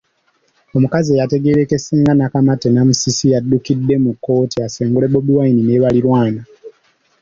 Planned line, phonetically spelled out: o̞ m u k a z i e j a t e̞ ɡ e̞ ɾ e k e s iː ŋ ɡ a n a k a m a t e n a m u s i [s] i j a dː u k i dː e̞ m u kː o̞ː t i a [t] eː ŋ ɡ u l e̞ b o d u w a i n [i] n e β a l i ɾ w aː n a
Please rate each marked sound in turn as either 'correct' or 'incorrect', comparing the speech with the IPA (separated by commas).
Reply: correct, incorrect, correct